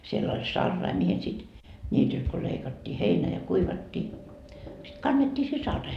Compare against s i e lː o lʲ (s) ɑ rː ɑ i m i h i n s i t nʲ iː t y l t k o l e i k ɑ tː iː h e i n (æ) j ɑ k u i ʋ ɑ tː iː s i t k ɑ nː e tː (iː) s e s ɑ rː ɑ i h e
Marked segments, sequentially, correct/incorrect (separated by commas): correct, correct, correct